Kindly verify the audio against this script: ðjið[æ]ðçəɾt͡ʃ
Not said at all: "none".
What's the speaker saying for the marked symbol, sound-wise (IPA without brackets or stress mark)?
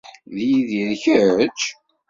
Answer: i